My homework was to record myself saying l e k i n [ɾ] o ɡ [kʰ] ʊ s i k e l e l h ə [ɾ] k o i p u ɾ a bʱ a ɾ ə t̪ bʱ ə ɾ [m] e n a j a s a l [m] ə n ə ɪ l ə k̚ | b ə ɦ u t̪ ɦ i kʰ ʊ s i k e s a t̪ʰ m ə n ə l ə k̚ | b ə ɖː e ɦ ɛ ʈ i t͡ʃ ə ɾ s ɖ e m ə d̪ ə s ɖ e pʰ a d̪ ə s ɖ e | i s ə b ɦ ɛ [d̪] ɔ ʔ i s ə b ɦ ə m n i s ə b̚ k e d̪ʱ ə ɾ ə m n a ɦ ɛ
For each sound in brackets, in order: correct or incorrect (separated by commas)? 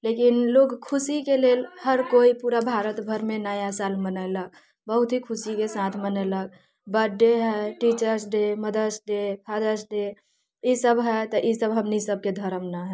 incorrect, correct, correct, correct, correct, incorrect